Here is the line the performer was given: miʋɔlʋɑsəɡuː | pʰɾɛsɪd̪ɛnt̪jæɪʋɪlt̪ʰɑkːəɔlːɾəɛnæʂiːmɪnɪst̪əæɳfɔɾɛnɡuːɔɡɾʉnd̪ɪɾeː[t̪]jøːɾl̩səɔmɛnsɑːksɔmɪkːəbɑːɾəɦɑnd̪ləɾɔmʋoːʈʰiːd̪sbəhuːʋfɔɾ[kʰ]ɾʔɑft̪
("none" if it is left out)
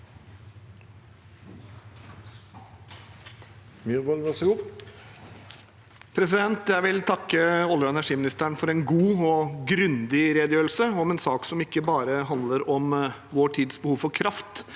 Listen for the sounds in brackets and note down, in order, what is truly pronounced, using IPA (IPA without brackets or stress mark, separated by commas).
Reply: d̪, kʰ